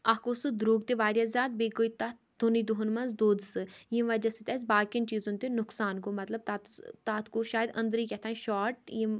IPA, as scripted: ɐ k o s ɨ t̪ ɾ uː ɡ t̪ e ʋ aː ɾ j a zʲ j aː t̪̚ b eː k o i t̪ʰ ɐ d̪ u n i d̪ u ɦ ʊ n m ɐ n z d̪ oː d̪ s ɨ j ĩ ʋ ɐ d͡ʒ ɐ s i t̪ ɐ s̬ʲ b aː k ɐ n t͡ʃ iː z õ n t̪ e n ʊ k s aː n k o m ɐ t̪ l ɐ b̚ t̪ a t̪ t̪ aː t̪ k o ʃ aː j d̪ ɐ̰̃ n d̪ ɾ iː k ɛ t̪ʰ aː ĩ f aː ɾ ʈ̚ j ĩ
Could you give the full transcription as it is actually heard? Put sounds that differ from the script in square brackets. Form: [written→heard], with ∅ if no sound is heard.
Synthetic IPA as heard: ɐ k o s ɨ [t̪→d̪] ɾ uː ɡ t̪ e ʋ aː ɾ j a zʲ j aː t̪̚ b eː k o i [t̪ʰ→t̪] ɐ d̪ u n i d̪ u ɦ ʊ n m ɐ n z d̪ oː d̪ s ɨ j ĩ ʋ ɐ d͡ʒ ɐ s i t̪ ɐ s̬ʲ b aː k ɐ n t͡ʃ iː z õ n t̪ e n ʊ k s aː n k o m ɐ t̪ l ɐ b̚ t̪ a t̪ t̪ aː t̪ k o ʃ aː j d̪ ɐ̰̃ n d̪ ɾ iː k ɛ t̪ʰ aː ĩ [f→ʃ] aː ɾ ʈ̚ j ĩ